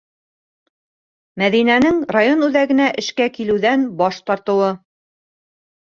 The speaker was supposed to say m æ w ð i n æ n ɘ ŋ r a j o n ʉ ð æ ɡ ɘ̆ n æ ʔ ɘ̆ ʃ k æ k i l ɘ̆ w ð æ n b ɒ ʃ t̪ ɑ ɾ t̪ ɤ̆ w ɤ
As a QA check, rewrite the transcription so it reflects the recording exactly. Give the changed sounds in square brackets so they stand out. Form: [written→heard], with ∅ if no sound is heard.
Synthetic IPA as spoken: m æ [w→∅] ð i n æ n ɘ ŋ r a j o n ʉ ð æ ɡ ɘ̆ n æ ʔ ɘ̆ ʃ k æ k i l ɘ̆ w ð æ n b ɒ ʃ t̪ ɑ ɾ t̪ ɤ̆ w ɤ